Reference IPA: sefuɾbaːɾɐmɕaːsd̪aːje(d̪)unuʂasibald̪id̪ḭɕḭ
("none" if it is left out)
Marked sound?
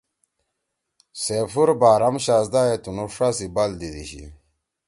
t̪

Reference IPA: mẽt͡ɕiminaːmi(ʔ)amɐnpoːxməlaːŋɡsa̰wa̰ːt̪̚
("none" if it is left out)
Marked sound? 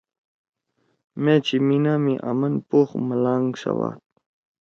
ʔ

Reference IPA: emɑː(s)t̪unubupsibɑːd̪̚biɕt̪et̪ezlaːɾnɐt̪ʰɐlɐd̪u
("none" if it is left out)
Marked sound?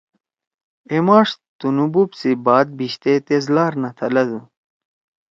ʂ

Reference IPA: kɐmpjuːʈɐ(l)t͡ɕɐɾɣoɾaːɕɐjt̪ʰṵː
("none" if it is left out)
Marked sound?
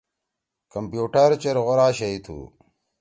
ɾ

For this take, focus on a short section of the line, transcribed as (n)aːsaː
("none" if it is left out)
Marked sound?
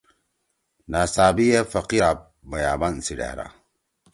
n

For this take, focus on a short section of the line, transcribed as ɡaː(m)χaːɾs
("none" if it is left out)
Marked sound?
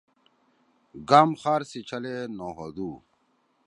m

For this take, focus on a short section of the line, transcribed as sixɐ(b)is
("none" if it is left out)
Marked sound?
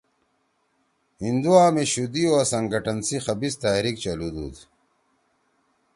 b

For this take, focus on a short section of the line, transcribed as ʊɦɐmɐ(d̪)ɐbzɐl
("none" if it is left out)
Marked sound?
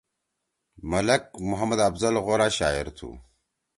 d̪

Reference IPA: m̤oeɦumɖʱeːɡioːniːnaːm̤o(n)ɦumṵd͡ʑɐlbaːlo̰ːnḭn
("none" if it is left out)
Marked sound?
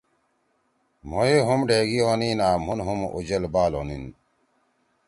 n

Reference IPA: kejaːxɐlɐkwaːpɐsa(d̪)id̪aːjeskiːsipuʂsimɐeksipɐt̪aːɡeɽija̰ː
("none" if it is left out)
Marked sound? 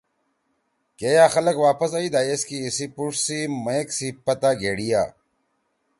none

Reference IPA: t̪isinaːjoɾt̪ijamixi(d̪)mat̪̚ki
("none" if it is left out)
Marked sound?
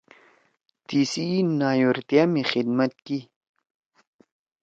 d̪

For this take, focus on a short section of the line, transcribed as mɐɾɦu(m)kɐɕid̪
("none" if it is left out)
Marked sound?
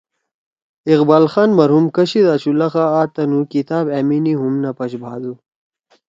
m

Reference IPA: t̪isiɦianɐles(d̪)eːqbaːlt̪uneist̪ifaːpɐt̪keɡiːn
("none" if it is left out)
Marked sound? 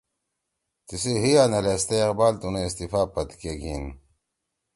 t̪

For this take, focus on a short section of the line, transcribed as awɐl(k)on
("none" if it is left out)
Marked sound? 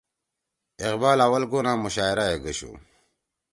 ɡ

